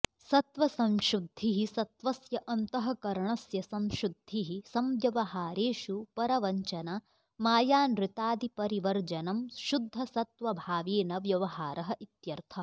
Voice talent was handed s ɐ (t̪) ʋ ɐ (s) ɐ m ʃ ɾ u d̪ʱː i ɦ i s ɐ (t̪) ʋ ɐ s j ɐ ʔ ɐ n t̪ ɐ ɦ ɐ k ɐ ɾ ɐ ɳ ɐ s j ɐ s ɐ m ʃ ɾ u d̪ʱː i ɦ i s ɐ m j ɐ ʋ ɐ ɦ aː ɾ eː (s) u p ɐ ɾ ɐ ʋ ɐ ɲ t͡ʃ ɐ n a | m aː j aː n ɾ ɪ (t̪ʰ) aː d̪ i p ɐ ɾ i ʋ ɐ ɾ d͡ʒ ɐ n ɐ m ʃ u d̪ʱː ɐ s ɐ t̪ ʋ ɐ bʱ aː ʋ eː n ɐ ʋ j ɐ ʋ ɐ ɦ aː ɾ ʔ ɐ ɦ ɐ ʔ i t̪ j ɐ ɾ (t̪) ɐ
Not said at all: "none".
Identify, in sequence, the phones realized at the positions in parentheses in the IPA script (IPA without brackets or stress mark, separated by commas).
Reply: t̪, s, t̪, ʃ, t̪, t̪ʰ